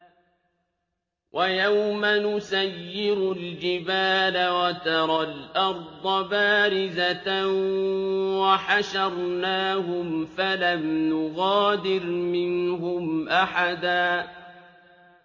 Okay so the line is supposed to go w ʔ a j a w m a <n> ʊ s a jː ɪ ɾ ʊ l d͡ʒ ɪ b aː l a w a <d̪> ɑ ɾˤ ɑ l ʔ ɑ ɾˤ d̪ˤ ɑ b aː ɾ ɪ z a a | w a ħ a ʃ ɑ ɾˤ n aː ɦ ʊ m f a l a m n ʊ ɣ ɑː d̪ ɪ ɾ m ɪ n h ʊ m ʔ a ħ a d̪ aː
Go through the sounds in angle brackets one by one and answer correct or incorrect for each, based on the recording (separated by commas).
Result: correct, incorrect